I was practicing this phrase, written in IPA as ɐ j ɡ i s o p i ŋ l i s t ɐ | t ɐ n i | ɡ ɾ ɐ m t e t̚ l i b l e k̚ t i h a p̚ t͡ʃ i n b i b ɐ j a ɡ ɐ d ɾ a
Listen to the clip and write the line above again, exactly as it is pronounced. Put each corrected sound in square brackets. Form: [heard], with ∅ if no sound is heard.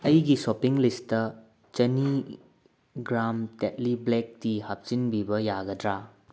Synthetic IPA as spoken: ɐ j ɡ i s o p i ŋ l i s t ɐ | [t͡ʃ] ɐ n i | ɡ ɾ [a] m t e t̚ l i b l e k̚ t i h a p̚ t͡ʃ i n b i b ɐ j a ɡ ɐ d ɾ a